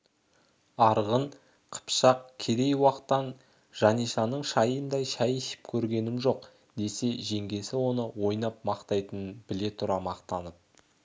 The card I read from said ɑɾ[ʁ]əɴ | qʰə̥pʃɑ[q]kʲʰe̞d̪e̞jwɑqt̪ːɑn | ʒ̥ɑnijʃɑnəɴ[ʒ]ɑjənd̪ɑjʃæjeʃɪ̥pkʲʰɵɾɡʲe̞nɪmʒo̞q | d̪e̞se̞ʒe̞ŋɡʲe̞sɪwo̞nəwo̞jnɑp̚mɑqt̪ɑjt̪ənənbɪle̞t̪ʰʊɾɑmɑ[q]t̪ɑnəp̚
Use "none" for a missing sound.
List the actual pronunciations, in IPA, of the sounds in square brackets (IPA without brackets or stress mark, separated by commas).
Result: ʁ, q, ʃ, q